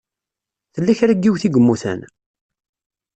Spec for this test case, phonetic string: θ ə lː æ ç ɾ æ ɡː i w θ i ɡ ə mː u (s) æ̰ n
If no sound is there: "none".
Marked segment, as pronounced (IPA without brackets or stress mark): θ